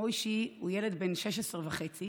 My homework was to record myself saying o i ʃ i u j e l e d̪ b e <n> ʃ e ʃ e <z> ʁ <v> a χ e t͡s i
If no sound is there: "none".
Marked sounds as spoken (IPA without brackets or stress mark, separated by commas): n, s, v